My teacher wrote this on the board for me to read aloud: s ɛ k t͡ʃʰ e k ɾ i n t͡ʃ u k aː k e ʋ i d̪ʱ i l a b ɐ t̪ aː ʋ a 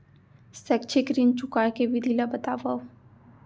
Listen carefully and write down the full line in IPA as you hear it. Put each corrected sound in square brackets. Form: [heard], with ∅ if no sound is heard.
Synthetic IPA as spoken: s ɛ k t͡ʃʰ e k ɾ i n t͡ʃ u k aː k e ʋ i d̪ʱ i l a b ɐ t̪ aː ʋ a